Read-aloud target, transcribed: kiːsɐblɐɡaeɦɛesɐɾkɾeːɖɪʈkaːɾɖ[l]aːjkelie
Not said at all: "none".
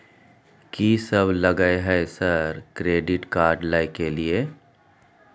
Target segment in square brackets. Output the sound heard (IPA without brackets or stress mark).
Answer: l